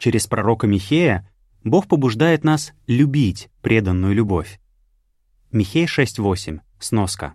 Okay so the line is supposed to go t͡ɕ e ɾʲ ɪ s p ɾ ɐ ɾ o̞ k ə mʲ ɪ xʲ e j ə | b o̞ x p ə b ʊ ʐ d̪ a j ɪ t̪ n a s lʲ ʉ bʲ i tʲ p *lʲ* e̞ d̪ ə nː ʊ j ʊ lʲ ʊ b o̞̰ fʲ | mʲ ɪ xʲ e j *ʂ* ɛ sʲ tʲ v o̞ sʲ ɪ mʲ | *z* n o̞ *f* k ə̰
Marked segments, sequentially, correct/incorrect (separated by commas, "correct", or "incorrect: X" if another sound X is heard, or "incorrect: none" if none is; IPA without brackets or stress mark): incorrect: ɾʲ, correct, incorrect: s, incorrect: s